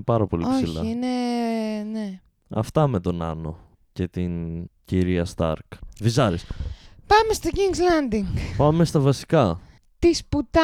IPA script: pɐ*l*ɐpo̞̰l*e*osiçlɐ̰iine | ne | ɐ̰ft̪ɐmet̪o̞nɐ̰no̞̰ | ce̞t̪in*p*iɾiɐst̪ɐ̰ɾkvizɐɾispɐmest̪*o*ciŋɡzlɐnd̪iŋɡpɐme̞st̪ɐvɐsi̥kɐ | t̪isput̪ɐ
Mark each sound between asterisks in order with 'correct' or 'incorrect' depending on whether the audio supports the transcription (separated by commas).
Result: incorrect, incorrect, incorrect, correct